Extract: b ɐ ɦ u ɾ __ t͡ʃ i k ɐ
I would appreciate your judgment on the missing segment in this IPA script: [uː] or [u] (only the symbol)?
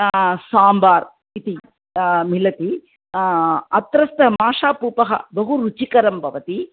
u